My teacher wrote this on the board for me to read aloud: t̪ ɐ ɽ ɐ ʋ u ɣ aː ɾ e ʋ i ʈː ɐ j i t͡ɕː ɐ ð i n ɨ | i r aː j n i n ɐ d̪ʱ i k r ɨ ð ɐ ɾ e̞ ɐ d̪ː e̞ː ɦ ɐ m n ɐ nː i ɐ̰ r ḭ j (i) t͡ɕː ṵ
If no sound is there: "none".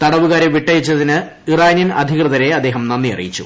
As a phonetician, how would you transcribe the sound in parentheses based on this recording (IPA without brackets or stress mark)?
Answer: i